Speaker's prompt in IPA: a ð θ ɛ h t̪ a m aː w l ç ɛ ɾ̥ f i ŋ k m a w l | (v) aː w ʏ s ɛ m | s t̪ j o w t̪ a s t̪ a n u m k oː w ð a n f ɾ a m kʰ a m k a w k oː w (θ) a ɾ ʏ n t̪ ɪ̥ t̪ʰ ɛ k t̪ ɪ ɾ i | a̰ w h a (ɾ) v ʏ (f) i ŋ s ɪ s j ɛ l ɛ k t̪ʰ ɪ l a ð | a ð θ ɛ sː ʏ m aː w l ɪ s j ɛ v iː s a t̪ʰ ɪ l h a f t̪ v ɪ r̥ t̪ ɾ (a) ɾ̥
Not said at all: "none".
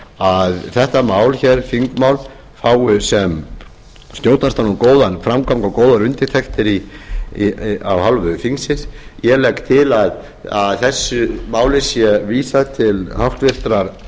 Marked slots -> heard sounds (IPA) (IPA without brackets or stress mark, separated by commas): f, ð, l, f, a